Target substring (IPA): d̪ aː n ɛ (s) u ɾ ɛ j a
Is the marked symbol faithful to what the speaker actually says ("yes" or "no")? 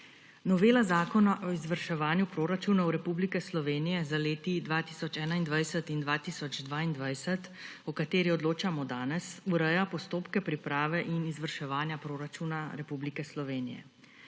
yes